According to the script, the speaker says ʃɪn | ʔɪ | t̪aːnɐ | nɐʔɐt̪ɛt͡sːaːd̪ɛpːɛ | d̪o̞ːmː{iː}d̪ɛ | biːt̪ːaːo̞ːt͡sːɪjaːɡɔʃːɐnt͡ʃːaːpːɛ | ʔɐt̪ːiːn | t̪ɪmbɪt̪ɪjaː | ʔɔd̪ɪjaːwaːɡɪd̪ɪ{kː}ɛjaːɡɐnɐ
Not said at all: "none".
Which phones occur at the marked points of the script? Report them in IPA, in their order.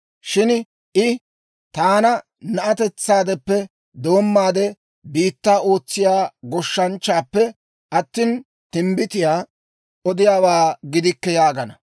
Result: aː, kː

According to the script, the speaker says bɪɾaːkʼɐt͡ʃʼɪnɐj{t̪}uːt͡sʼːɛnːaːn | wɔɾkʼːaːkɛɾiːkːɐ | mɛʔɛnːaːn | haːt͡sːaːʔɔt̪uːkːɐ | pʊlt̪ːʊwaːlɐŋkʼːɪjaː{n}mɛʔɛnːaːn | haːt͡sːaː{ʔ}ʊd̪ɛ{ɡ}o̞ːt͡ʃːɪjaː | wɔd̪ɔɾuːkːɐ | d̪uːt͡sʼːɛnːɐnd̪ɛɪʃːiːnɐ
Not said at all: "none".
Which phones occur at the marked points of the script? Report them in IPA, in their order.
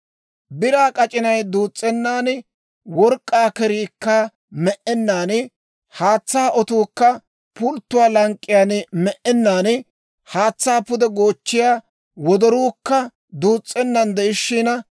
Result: d̪, n, p, ɡ

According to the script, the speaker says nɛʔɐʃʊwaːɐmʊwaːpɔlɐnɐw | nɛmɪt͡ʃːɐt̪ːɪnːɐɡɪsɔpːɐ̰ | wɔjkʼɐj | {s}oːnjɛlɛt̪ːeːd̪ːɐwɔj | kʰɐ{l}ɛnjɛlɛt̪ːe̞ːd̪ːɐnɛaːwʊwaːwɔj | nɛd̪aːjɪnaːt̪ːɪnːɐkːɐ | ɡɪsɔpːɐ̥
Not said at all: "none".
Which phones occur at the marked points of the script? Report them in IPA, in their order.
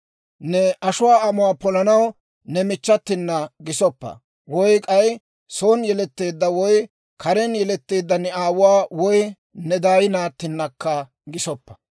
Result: s, ɾ

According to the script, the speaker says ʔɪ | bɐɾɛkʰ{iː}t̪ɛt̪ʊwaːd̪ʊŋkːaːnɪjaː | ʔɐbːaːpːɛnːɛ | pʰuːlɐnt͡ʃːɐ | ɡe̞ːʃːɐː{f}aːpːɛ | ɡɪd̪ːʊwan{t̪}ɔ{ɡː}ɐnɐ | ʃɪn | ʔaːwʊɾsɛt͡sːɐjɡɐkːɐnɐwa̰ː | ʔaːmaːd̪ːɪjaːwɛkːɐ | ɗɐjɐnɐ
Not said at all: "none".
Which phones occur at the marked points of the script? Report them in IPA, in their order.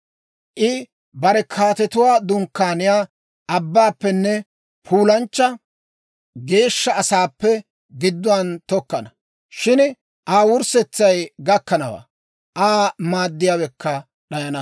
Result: aː, s, t̪, kː

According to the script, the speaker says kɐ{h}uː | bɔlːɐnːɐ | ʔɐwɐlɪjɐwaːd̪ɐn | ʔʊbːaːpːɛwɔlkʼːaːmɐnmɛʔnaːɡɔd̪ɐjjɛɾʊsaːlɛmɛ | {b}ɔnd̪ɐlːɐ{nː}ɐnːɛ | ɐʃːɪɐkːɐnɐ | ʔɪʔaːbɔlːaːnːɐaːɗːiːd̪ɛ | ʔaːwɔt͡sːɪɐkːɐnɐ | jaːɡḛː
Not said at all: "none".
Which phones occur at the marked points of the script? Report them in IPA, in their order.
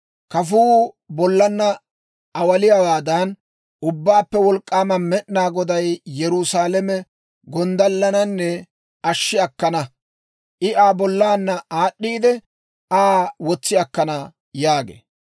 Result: f, ɡ, n

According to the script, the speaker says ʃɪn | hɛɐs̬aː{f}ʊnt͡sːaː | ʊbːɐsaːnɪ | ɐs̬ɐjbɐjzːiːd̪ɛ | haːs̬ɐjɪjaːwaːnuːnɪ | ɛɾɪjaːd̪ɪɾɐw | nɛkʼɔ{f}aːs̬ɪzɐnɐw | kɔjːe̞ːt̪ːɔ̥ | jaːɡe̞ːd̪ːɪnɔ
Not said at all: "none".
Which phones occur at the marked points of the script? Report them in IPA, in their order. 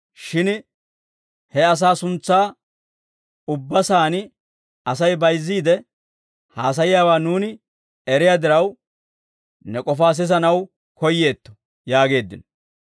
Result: s, f

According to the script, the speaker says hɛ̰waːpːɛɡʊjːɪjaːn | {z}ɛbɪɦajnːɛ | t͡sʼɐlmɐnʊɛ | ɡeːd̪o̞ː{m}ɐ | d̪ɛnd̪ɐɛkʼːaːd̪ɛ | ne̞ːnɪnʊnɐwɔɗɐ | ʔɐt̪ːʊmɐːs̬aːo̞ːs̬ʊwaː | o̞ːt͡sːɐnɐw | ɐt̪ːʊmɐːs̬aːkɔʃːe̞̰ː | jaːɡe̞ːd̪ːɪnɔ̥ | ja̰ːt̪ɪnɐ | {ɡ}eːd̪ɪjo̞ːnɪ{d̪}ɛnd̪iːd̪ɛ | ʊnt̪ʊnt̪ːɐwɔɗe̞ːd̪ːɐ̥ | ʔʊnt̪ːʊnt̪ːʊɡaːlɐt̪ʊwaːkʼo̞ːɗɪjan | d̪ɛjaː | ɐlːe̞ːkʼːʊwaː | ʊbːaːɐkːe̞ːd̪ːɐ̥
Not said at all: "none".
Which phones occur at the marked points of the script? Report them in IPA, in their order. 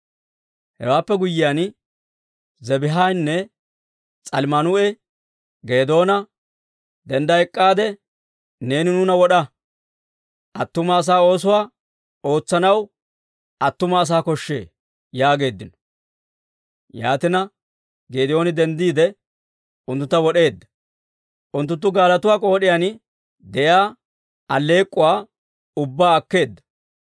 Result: z, n, ɡ, d̪

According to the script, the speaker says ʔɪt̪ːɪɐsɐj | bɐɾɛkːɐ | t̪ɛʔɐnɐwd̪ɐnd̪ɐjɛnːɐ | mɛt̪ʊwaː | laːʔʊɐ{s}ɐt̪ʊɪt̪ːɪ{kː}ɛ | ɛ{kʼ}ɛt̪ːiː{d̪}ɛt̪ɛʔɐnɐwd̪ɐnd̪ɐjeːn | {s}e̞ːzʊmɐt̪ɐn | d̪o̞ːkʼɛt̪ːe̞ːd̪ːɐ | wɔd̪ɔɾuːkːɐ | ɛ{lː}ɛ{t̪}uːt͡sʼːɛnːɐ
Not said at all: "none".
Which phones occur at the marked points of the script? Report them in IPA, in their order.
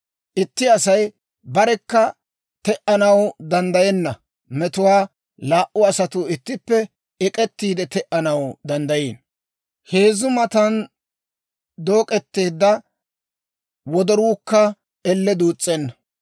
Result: s, pː, kʼ, d̪, h, lː, d̪

